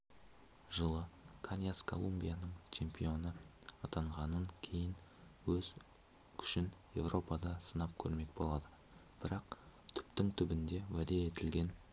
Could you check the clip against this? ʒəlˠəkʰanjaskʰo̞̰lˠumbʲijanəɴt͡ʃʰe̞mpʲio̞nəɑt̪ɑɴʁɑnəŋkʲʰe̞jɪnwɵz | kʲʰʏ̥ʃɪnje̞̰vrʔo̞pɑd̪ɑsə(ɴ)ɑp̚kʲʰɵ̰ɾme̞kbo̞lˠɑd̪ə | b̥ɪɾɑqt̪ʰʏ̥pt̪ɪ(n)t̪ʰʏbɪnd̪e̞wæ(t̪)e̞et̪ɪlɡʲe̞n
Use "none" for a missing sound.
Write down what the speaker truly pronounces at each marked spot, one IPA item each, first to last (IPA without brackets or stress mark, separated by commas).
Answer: n, ŋ, d̪